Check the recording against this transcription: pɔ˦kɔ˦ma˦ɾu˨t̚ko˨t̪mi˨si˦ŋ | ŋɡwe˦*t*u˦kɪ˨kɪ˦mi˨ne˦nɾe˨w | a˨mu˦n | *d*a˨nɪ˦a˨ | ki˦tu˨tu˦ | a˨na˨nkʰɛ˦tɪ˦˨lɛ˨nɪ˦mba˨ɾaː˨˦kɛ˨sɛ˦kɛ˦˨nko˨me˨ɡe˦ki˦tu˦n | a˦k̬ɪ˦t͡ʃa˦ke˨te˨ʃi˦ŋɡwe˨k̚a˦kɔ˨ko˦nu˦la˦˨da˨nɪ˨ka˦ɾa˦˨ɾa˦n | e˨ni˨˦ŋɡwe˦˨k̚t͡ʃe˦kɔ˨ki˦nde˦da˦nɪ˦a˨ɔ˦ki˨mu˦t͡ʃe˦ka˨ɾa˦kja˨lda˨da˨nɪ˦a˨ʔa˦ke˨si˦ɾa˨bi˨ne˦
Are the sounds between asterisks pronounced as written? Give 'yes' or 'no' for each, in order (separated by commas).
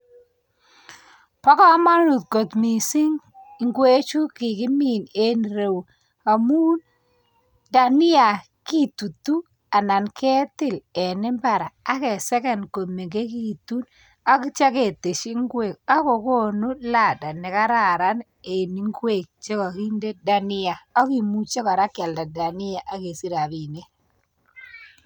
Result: no, yes